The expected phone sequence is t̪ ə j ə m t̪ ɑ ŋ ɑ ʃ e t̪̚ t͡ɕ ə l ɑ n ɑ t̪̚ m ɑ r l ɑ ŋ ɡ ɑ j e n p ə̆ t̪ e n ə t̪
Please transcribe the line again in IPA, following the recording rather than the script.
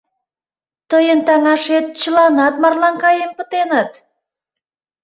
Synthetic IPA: t̪ ə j ə n t̪ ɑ ŋ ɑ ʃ e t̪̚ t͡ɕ ə l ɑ n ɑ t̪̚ m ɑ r l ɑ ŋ k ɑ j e m p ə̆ t̪ e n ə t̪